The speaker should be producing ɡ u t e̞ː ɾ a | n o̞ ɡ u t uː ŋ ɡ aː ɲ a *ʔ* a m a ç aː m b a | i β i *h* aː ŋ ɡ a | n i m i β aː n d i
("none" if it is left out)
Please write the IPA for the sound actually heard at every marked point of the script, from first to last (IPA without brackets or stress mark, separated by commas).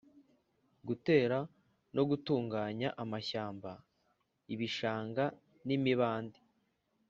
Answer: ʔ, ʃ